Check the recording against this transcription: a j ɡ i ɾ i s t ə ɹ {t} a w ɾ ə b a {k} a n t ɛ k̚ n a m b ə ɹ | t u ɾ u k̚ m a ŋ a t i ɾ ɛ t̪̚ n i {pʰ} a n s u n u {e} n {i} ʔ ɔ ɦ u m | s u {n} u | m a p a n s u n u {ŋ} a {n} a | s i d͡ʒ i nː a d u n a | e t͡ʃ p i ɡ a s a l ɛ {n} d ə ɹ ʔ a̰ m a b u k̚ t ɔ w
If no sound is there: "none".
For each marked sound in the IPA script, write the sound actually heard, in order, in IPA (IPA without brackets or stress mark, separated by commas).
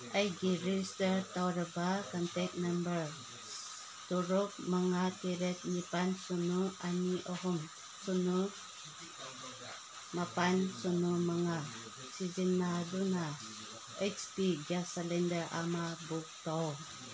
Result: t, k, p, a, i, n, m, ŋ, n